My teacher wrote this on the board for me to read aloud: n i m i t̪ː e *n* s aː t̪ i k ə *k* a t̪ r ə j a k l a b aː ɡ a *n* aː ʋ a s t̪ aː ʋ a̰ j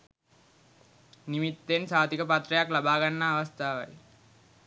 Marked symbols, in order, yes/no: yes, no, no

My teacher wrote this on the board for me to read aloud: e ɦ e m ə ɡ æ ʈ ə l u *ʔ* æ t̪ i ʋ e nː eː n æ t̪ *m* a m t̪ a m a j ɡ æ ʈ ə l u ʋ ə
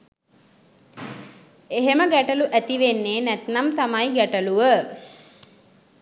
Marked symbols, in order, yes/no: yes, no

